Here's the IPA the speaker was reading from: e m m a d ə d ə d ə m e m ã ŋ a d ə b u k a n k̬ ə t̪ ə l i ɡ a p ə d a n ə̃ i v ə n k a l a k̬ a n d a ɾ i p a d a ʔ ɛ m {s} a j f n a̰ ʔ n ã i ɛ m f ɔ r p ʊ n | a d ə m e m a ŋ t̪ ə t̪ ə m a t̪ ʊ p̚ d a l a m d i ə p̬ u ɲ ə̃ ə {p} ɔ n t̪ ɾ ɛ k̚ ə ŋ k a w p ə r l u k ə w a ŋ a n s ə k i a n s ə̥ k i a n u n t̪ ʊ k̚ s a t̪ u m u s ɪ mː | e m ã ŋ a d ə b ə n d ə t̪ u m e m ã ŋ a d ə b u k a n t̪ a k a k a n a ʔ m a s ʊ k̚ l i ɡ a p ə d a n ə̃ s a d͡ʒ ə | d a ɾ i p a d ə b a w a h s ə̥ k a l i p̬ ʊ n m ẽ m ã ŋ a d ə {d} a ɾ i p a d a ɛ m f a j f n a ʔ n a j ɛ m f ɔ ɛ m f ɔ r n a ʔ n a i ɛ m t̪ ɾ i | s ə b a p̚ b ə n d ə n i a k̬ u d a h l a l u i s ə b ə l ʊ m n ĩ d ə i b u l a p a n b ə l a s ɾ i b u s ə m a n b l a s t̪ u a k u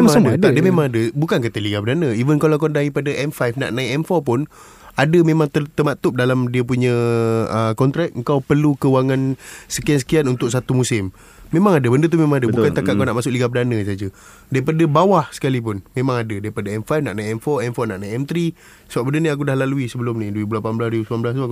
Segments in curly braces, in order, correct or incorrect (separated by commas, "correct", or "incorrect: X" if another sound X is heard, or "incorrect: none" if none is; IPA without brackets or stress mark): incorrect: f, incorrect: k, correct